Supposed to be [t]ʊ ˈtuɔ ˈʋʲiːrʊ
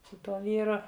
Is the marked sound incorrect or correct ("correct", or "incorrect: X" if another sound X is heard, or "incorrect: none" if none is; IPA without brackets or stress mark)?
incorrect: s